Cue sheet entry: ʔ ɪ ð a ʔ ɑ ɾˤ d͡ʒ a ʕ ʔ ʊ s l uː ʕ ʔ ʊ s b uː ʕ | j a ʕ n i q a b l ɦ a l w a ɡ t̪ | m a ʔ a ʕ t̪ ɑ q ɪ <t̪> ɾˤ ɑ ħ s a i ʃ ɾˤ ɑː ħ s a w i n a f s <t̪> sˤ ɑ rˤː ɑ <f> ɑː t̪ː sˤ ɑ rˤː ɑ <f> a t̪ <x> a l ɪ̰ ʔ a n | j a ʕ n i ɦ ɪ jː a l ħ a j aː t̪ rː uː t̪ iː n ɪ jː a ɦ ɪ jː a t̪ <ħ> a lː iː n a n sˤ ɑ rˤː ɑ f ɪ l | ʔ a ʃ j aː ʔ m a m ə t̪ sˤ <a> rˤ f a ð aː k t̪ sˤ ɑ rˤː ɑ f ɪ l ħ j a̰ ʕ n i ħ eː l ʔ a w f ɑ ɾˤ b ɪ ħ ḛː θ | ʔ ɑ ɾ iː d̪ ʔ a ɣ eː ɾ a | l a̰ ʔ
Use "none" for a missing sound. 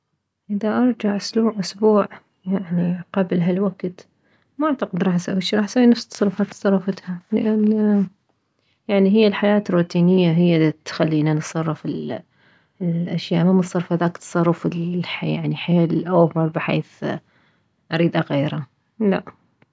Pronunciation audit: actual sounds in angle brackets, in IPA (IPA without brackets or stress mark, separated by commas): d̪, t̪, f, f, h, x, ɑ